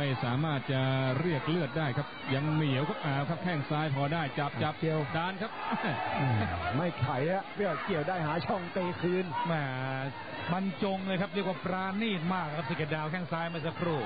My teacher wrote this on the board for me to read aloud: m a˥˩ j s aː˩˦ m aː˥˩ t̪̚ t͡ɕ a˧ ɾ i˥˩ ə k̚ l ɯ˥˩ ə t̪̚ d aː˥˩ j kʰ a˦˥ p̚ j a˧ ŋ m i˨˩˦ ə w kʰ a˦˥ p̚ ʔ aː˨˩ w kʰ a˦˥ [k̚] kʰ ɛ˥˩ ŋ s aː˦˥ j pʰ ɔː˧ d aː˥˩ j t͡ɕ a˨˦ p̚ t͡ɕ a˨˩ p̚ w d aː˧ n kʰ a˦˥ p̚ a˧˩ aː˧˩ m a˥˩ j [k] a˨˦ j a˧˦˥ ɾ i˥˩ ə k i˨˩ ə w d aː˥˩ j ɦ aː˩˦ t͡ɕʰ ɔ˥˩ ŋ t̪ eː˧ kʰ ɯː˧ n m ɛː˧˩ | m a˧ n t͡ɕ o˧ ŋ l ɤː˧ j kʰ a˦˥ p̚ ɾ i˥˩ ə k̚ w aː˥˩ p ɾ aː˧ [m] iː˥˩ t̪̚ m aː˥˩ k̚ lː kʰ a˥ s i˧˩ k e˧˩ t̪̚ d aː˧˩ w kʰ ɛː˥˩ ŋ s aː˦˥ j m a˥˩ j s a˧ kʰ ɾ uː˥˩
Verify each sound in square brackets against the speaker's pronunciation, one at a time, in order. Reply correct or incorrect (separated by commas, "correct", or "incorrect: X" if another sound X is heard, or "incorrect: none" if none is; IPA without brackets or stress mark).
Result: incorrect: p̚, incorrect: kʰ, incorrect: n